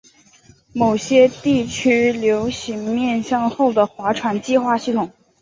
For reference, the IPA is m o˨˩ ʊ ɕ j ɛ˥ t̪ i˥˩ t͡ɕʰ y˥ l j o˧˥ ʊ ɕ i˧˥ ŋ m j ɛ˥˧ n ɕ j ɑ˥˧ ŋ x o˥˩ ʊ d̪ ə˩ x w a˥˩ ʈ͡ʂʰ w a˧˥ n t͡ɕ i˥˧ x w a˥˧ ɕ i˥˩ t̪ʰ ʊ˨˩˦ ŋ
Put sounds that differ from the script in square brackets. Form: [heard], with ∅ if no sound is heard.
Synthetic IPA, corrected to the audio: m o˨˩ ʊ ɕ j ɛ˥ t̪ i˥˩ t͡ɕʰ y˥ l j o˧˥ ʊ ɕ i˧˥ ŋ m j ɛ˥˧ n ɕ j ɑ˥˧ ŋ x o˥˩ ʊ d̪ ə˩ x w [a˧˥] ʈ͡ʂʰ w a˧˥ n t͡ɕ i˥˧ x w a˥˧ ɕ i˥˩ t̪ʰ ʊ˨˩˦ ŋ